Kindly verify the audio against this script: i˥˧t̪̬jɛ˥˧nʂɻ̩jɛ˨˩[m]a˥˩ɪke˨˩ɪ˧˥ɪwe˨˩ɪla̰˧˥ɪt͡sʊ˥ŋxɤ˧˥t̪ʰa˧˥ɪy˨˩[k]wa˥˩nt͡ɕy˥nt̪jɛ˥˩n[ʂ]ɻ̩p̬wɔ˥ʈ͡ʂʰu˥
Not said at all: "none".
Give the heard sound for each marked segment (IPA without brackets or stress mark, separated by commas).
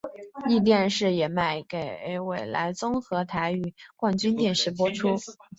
m, k, ʂ